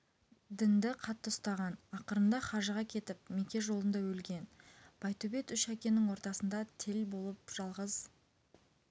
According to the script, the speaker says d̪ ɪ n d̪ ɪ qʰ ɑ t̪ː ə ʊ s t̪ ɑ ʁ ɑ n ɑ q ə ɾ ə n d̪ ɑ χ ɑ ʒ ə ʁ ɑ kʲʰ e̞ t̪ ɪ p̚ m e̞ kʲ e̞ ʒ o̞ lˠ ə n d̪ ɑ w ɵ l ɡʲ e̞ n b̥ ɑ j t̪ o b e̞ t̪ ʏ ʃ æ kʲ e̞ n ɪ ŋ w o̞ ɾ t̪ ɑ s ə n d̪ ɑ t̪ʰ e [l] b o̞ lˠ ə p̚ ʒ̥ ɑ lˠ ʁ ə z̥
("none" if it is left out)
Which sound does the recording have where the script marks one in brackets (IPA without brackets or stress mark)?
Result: l